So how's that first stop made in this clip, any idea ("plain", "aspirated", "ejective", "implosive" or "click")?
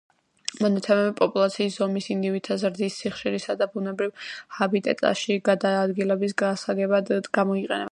plain